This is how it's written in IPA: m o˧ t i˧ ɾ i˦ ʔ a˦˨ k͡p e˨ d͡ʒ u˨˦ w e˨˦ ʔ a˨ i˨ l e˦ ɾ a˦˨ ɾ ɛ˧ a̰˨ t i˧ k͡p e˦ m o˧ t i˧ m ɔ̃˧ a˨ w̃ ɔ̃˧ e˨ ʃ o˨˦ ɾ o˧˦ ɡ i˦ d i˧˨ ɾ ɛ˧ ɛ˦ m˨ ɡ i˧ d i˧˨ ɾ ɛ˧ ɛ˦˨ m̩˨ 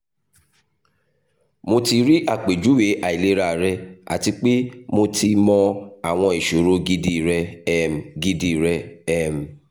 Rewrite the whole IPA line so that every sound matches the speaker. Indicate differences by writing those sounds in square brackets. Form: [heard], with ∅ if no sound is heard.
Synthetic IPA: m o˧ t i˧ ɾ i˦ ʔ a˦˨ k͡p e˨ d͡ʒ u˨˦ w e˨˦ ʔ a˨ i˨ l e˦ ɾ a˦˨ ɾ ɛ˧ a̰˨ t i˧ k͡p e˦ m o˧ t i˧ m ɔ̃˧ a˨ w̃ ɔ̃˧ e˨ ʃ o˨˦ ɾ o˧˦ ɡ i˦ d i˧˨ ɾ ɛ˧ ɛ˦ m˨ ɡ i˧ d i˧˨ ɾ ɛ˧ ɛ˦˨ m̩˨